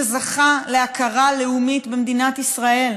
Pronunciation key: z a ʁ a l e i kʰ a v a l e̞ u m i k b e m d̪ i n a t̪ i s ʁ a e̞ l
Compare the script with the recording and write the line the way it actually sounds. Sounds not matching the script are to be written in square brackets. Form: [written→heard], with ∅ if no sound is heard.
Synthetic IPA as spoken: z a [ʁ→χ] a l e [i→a] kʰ a [v→ʁ] a l e̞ u m i [k→t] b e m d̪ i n a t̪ i s ʁ a e̞ l

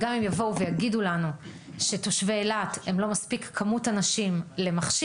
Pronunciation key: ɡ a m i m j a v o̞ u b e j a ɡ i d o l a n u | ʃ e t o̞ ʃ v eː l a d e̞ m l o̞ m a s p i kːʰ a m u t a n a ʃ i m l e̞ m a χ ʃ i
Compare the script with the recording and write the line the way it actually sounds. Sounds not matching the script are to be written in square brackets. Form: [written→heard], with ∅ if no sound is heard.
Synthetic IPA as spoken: ɡ a m i m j a v o̞ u [b→v] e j a ɡ i d [o→u] l a n u | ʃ e t o̞ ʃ v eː l a [d→t] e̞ m l o̞ m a s p i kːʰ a m u t a n a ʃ i m l e̞ m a χ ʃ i

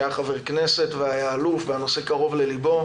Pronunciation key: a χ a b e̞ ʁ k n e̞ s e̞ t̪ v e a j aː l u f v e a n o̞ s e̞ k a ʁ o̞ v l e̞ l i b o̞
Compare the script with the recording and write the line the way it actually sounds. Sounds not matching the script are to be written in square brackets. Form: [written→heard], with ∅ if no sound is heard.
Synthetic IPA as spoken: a χ a [b→v] e̞ ʁ k n e̞ s e̞ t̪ v e a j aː l u f v e a n o̞ s e̞ k a ʁ o̞ v l e̞ l i b o̞

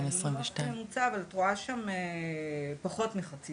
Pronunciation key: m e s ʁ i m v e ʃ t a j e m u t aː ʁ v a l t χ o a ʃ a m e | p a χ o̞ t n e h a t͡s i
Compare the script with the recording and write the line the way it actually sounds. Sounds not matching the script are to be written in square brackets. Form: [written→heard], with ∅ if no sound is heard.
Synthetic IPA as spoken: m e s ʁ i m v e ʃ t a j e m u [t→t͡s] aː [ʁ→∅] v a l t [χ→ʁ] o a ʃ a m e | p a χ o̞ t [n→m] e [h→χ] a t͡s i

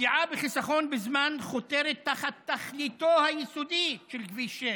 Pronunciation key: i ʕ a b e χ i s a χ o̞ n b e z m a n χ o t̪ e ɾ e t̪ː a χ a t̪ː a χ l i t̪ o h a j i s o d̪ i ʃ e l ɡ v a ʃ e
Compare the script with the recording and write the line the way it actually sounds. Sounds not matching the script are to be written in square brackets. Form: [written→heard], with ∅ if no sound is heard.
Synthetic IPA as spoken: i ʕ a b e χ i s a χ o̞ n b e z m a n χ o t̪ e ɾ e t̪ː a χ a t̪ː a χ l i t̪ o h a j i s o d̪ i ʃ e l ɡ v [a→i] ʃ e

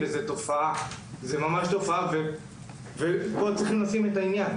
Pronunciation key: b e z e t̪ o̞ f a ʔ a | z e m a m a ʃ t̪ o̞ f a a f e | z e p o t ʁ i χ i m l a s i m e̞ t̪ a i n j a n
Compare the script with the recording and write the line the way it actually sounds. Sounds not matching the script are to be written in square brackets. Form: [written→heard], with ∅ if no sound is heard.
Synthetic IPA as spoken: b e z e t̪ o̞ f a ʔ a | z e m a m a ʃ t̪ o̞ f a a [f→v] e | [z→v] e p o [t→t͡s] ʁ i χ i m l a s i m e̞ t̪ a i n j a n

